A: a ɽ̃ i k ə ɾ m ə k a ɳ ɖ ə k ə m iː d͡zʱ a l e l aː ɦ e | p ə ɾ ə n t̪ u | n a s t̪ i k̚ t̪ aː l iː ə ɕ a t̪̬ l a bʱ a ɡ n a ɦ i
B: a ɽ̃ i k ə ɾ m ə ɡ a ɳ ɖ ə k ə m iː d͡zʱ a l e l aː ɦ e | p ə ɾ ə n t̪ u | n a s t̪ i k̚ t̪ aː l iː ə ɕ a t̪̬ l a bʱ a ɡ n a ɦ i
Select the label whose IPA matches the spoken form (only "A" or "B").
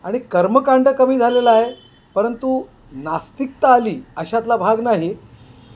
A